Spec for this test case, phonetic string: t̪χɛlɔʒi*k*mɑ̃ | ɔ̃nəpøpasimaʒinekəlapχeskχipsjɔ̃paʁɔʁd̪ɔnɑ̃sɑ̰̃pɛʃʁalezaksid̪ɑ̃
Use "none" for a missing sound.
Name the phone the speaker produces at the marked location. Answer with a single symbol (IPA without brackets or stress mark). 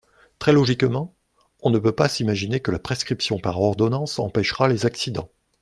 k